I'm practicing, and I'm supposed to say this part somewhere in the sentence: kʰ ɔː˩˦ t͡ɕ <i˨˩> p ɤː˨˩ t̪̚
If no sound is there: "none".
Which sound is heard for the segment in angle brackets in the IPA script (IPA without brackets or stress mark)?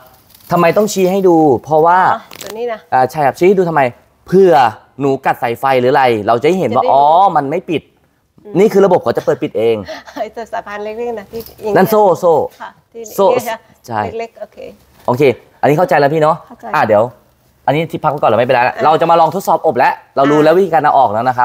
a˨˩